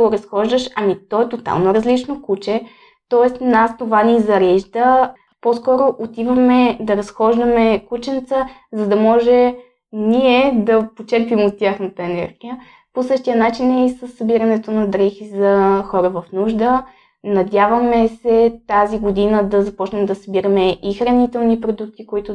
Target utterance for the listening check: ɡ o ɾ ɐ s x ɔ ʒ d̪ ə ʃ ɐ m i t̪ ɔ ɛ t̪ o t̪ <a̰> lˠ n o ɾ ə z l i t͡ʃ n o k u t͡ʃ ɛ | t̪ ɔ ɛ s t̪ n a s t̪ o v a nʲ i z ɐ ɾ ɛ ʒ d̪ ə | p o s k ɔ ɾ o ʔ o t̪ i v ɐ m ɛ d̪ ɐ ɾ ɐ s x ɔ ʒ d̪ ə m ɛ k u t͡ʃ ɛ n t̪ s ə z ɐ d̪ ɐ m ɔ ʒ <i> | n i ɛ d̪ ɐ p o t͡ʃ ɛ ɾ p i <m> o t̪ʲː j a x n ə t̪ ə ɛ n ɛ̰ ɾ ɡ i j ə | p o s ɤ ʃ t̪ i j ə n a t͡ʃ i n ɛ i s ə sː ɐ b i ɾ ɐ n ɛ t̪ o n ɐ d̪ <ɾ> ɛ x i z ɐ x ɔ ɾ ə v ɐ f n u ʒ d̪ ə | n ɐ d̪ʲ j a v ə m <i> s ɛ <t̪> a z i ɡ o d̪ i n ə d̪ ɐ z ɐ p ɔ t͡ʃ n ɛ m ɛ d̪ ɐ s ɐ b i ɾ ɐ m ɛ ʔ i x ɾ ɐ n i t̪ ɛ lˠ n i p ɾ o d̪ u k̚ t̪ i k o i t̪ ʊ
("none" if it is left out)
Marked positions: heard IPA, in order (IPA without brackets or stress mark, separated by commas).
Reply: a̰, ɛ, m, ɾ, ɛ, t̪